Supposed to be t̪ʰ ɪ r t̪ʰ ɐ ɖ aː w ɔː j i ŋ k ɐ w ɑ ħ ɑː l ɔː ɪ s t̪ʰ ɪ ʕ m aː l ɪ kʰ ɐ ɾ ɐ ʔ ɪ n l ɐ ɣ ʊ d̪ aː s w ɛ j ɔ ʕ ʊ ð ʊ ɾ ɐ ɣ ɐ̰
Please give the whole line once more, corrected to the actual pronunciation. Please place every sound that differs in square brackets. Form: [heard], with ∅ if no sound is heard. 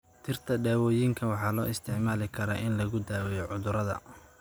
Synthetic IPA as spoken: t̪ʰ ɪ r t̪ʰ ɐ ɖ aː w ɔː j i ŋ [kʰ] ɐ w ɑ ħ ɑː l ɔː ɪ s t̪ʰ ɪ ʕ m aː l ɪ kʰ ɐ ɾ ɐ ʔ ɪ n l ɐ ɣ ʊ d̪ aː [∅] w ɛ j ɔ ʕ ʊ ð ʊ ɾ ɐ [ð] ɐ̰

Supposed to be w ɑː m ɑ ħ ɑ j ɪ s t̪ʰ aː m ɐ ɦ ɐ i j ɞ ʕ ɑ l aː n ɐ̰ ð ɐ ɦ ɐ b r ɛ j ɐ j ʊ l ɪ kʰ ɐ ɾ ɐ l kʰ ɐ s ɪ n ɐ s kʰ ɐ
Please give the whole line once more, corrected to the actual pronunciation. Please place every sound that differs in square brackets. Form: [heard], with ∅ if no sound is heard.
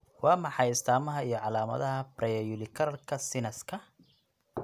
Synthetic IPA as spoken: w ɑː m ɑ ħ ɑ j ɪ s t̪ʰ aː m ɐ ɦ ɐ i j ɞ ʕ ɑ l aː [m] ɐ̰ ð ɐ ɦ ɐ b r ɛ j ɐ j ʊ l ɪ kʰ ɐ ɾ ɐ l kʰ ɐ s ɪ n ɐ s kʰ ɐ

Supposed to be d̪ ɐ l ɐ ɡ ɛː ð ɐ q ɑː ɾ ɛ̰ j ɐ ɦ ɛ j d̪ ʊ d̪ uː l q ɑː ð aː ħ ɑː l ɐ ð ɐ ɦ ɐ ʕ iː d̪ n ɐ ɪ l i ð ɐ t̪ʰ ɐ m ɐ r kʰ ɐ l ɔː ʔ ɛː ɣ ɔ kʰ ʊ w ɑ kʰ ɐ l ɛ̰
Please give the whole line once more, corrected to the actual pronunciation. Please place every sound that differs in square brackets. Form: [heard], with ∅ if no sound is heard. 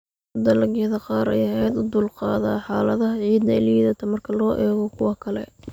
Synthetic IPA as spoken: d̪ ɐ l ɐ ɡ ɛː ð ɐ q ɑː ɾ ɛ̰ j ɐ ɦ ɛ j d̪ ʊ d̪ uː l q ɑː ð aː ħ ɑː l ɐ ð ɐ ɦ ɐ ʕ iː d̪ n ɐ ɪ l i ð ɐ t̪ʰ ɐ m ɐ r kʰ ɐ l ɔː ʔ ɛː ɣ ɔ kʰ ʊ w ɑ kʰ ɐ l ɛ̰

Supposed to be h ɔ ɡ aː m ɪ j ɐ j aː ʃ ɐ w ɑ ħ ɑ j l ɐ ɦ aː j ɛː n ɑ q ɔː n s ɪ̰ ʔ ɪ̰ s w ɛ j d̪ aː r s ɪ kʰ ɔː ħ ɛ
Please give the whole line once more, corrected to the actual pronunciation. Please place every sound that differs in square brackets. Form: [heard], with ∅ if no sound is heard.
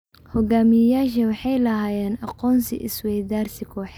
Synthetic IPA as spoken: h ɔ ɡ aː m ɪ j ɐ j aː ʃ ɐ w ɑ ħ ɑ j l ɐ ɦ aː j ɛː n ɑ q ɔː n s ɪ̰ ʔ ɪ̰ s w ɛ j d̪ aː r s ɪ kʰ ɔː ħ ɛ

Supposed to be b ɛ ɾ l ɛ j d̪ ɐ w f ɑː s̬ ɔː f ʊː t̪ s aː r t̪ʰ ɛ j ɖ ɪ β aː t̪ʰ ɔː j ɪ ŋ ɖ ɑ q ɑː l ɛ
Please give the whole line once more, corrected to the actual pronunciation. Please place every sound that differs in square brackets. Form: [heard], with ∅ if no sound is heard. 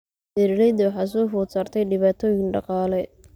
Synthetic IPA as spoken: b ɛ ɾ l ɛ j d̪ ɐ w [ħ] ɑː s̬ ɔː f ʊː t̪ s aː r t̪ʰ ɛ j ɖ ɪ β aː t̪ʰ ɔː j ɪ ŋ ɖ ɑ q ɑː l ɛ

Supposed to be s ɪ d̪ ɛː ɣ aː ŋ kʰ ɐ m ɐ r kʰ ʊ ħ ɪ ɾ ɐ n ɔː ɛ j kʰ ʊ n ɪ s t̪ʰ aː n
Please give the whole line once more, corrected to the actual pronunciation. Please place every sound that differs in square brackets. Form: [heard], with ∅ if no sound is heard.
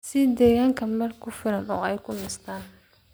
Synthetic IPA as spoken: s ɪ d̪ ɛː ɣ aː ŋ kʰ ɐ m ɐ r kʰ ʊ [f] ɪ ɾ ɐ n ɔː ɛ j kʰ ʊ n ɪ s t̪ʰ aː n

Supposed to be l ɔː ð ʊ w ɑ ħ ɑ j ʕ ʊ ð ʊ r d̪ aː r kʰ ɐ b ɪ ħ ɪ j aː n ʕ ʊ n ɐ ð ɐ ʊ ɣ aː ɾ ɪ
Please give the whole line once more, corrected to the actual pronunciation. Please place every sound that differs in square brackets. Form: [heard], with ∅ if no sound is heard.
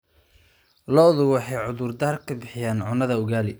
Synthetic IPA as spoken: l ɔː ð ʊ w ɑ ħ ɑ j ʕ ʊ ð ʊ r d̪ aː r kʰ ɐ b ɪ ħ ɪ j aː n ʕ ʊ n ɐ ð ɐ ʊ ɣ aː [l] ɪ

